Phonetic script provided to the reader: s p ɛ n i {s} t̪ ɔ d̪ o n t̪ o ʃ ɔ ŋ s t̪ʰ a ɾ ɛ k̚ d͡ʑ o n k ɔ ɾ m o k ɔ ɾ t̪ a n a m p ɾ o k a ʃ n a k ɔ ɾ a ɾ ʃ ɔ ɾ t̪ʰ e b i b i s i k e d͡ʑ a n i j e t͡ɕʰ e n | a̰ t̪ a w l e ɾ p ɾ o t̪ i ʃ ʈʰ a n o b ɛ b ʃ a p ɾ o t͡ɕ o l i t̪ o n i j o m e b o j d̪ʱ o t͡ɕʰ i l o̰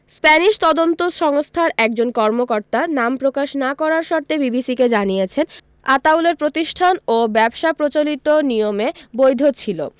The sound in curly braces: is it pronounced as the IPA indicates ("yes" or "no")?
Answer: no